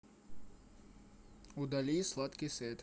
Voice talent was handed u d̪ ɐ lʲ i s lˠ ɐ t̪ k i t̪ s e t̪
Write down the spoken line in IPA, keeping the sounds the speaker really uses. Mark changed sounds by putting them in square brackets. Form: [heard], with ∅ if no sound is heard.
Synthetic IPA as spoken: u d̪ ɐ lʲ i s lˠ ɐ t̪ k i [∅] s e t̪